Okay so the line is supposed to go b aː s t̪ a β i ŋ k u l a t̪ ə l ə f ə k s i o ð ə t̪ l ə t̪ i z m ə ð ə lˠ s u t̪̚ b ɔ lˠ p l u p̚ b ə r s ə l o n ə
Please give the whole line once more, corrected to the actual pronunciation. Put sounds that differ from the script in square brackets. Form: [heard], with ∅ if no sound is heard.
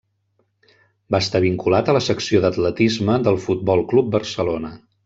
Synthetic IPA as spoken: b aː s t̪ a β i ŋ k u l a t̪ ə l ə [s] ə k s i o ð ə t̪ l ə t̪ i z m ə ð ə lˠ [f] u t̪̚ b ɔ lˠ [k] l u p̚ b ə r s ə l o n ə